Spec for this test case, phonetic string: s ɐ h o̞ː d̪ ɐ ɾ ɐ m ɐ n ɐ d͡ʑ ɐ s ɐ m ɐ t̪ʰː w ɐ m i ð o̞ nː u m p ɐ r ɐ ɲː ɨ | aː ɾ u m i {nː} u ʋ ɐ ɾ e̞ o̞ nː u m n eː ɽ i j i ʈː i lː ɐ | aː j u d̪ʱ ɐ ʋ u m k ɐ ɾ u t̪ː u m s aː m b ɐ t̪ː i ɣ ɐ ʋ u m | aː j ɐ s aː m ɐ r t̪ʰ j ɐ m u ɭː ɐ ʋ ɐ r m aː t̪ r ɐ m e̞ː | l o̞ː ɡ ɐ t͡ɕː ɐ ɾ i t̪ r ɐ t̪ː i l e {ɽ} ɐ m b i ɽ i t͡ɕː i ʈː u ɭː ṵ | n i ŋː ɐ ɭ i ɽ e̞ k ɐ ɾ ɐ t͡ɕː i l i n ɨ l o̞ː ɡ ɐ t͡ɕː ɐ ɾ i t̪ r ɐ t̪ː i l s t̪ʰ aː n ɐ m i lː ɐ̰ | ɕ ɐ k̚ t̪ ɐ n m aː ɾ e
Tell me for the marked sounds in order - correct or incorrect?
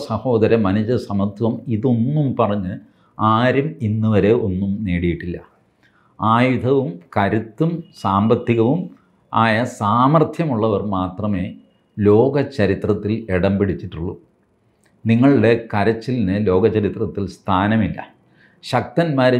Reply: correct, correct

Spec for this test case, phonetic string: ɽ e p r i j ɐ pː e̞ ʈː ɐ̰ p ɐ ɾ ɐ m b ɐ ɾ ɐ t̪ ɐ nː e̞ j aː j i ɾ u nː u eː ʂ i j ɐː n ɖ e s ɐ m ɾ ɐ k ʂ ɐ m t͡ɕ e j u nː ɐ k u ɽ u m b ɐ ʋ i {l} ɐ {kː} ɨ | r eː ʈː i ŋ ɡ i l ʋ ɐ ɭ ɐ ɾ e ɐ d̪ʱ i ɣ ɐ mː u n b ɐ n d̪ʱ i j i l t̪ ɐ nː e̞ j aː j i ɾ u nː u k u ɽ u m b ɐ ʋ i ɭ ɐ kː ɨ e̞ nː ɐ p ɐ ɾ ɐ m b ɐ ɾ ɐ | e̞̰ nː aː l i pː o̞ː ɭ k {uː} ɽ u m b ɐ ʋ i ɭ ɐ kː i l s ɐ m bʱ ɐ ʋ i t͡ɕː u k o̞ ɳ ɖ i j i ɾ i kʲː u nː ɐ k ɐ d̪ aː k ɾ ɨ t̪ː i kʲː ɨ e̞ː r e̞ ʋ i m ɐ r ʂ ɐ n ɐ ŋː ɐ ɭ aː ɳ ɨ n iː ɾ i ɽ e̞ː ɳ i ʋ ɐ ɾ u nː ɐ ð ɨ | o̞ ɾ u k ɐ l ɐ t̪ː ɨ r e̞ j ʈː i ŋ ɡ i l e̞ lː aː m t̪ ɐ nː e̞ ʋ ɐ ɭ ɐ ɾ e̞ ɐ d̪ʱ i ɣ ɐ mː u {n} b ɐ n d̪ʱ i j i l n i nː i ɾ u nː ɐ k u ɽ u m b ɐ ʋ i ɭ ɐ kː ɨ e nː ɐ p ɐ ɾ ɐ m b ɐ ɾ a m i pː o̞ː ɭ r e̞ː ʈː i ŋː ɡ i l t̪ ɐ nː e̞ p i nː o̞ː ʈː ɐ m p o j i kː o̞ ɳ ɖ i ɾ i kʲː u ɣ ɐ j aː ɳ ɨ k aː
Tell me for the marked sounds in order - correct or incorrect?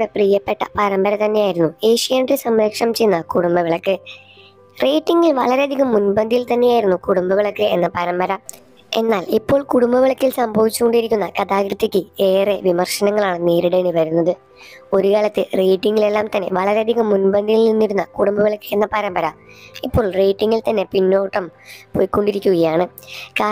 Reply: incorrect: ɭ, correct, incorrect: u, correct

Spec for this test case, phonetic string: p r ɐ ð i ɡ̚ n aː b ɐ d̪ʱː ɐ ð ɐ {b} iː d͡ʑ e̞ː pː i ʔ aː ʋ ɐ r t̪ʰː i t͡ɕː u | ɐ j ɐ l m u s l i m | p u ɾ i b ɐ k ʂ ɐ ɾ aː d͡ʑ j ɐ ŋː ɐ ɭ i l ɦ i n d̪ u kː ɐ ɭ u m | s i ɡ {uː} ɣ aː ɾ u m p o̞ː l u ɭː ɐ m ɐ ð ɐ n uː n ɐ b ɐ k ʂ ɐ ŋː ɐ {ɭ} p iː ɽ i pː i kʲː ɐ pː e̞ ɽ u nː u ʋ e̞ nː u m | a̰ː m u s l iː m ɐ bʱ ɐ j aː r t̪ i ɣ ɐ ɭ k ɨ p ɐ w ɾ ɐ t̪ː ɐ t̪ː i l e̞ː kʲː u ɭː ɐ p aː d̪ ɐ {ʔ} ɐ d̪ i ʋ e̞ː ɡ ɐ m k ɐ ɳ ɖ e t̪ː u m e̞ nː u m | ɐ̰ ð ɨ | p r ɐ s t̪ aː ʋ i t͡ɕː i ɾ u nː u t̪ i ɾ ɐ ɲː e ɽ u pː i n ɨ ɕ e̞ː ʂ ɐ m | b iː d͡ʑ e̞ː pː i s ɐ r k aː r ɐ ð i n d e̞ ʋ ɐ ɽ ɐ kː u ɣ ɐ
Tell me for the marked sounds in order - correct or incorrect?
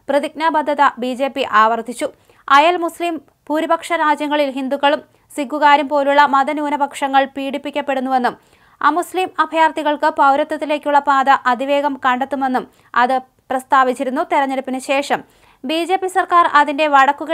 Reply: correct, incorrect: u, correct, correct

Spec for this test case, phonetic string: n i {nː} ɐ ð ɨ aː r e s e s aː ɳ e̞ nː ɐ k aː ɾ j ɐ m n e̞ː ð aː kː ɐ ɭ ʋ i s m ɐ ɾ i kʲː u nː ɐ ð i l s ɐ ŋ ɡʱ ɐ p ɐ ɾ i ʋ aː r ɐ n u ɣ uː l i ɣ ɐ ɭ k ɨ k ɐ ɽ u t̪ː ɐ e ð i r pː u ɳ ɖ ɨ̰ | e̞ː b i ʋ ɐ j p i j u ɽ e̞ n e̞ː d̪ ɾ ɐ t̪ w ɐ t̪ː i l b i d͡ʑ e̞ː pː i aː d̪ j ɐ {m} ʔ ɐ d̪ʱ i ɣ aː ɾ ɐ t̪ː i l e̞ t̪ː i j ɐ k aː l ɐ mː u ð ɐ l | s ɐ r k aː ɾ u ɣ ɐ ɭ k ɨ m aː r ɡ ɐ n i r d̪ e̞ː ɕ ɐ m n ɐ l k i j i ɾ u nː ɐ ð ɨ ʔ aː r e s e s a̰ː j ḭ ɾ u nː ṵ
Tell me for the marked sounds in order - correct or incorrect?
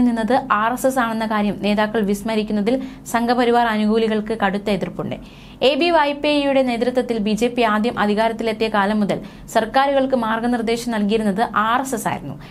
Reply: correct, correct

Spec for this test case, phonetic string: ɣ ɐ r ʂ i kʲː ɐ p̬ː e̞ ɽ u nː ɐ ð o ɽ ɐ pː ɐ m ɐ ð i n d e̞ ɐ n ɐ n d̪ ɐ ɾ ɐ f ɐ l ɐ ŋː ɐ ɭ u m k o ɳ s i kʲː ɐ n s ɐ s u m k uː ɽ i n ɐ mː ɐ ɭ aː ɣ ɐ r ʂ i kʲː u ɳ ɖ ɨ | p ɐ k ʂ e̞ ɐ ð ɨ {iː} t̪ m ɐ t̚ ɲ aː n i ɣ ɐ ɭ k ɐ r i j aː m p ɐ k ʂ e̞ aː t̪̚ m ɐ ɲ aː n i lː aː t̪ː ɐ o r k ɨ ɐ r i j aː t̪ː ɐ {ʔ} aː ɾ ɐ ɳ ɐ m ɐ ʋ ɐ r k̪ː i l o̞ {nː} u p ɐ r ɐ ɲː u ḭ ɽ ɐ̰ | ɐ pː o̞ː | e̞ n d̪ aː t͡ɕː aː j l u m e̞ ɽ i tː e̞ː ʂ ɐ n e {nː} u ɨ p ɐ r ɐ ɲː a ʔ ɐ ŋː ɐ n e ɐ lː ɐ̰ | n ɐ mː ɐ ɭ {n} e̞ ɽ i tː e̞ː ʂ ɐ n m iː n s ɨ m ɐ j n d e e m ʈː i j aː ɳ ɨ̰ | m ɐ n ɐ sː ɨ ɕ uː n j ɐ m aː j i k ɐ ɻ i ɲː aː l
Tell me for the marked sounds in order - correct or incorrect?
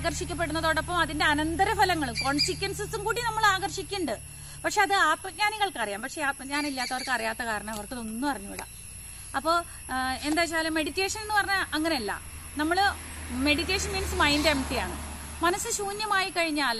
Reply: incorrect: aː, incorrect: k, correct, correct, incorrect: m

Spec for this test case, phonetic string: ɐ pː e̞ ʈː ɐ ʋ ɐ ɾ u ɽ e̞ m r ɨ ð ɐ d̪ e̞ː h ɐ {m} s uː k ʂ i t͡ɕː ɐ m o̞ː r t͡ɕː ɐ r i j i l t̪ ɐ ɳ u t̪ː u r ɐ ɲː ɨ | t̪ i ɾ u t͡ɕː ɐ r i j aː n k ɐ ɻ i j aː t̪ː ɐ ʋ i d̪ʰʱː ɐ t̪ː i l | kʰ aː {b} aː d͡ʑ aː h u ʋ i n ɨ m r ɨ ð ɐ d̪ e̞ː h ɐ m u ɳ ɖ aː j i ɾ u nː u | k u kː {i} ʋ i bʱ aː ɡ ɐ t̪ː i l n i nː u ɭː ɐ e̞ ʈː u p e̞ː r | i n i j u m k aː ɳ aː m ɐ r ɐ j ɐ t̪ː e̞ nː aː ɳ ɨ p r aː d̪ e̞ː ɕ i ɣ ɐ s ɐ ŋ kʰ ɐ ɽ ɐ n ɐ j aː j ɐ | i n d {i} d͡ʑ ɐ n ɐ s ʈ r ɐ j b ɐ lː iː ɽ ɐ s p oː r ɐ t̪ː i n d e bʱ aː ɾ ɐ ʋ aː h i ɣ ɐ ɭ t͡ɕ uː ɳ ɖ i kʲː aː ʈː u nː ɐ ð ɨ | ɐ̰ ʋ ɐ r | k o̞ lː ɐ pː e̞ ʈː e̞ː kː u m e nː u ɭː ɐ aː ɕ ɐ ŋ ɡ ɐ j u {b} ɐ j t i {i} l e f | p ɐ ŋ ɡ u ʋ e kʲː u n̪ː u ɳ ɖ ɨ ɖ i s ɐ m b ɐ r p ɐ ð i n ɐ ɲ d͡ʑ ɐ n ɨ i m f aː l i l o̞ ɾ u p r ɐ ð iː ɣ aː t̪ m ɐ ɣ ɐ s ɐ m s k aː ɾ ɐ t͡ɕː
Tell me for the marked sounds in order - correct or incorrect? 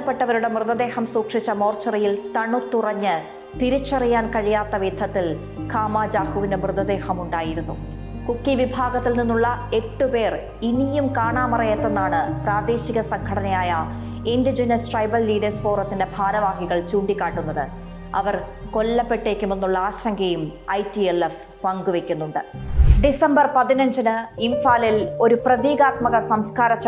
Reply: correct, incorrect: m, correct, correct, incorrect: m, incorrect: e

